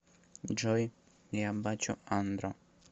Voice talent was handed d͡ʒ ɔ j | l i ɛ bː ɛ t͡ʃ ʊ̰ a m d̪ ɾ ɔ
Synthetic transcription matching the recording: d͡ʒ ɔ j | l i a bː a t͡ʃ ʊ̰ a n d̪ ɾ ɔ